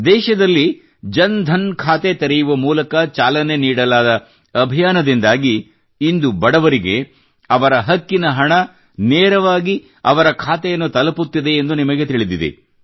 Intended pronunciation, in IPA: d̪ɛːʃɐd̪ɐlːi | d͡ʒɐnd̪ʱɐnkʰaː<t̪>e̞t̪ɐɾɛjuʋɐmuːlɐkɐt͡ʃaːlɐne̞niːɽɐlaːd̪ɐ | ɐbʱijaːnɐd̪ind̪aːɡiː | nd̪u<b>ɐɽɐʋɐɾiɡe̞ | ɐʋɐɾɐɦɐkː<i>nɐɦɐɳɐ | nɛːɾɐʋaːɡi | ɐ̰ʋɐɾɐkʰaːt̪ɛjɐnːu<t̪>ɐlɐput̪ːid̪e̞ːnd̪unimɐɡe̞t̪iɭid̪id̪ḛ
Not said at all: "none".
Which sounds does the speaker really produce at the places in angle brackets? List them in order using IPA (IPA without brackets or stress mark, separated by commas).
t̪, b, i, t̪